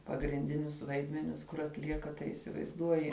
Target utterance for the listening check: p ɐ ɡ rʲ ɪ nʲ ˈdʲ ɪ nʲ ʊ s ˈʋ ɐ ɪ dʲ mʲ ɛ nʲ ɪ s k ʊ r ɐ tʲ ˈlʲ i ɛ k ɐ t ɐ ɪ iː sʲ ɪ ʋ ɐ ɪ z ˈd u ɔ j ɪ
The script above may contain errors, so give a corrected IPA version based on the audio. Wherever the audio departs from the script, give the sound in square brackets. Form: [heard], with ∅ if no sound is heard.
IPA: p ɐ ɡ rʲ ɪ nʲ ˈdʲ ɪ nʲ ʊ s ˈʋ ɐ ɪ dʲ mʲ ɛ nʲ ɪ s k ʊ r ɐ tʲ ˈlʲ i ɛ k ɐ t ɐ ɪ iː sʲ ɪ ʋ ɐ ɪ z ˈd u ɔ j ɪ